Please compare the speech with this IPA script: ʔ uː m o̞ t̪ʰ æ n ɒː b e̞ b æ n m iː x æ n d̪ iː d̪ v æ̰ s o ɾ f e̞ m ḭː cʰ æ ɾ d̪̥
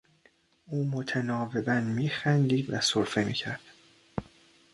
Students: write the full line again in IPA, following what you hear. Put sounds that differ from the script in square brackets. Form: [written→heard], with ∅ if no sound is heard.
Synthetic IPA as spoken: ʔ uː m o̞ t̪ʰ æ n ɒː [b→v] e̞ b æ n m iː x æ n d̪ iː d̪ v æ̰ s o ɾ f e̞ m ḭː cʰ æ ɾ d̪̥